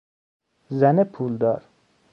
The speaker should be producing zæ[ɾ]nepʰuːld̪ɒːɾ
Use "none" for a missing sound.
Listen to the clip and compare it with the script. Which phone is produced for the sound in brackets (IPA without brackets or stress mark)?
none